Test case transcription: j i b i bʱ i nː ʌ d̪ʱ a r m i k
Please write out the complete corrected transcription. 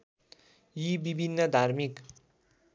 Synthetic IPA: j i b i bʱ i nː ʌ d̪ʱ a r m i k